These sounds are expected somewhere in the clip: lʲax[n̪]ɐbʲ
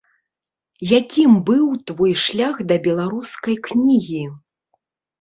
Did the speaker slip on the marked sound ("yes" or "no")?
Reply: yes